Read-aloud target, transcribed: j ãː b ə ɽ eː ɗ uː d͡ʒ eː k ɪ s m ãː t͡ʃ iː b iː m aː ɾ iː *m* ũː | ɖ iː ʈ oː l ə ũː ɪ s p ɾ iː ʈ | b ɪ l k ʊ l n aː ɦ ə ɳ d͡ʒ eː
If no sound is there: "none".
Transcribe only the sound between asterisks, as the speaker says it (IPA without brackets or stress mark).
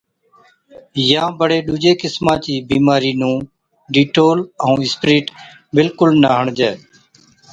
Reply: n